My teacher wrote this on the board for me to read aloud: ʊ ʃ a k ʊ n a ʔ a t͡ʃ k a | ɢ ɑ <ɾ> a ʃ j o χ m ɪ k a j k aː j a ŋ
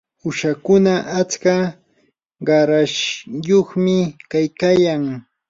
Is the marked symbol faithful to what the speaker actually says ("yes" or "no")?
yes